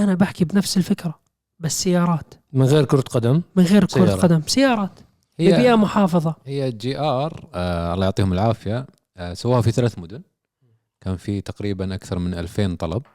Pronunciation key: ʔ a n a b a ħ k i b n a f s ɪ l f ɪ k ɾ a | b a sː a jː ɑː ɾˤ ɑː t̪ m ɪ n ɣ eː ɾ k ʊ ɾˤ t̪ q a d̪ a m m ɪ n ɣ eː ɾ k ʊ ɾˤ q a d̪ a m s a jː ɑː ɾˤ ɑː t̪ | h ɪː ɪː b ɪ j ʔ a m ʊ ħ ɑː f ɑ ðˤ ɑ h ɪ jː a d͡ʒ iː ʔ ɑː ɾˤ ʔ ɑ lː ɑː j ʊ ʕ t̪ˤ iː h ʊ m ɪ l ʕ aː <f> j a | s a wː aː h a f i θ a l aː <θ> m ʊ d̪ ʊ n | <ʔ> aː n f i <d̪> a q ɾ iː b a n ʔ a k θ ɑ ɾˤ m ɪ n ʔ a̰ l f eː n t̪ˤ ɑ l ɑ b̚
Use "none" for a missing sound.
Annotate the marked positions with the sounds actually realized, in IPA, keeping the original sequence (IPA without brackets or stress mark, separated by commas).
f, θ, k, t̪